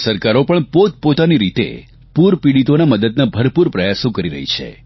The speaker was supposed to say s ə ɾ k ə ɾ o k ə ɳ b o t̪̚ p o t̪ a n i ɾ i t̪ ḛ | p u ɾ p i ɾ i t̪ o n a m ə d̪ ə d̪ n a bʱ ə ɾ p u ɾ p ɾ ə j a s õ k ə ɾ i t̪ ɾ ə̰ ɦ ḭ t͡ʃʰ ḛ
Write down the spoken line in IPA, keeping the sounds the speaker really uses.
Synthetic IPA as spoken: s ə ɾ k a ɾ o p ə ɳ p o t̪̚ p o t̪ a n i ɾ i t̪ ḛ | p u ɾ p i ɽ i t̪ o n a m ə d̪ ə d̪ n a bʱ ə ɾ p u ɾ p ɾ ə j a s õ k ə ɾ i ɾ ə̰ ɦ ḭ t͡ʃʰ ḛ